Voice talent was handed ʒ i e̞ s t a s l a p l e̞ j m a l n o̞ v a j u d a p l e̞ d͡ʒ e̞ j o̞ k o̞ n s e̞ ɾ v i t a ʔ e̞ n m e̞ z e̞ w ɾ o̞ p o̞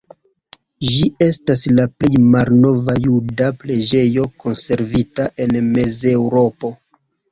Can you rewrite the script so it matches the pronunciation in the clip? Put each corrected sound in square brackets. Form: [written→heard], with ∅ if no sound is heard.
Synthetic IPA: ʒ i e̞ s t a s l a p l e̞ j m a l n o̞ v a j u d a p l e̞ d͡ʒ e̞ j o̞ k o̞ n s e̞ ɾ v i t a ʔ e̞ n m e̞ z e̞ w ɾ o̞ p o̞